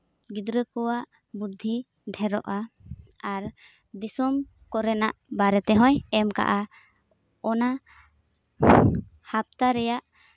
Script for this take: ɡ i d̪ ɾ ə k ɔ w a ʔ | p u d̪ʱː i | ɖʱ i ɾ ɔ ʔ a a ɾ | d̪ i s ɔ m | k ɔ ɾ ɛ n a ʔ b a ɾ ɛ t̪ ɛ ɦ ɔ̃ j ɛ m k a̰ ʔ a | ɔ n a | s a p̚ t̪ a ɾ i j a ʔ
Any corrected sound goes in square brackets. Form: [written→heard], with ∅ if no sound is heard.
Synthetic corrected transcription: ɡ i d̪ ɾ ə k ɔ w a ʔ | [p→b] u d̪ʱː i | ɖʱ [i→ɛ] ɾ ɔ ʔ a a ɾ | d̪ i s ɔ m | k ɔ ɾ ɛ n a ʔ b a ɾ ɛ t̪ ɛ ɦ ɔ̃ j ɛ m k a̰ ʔ a | ɔ n a | [s→h] a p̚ t̪ a ɾ [i→ɛ] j a ʔ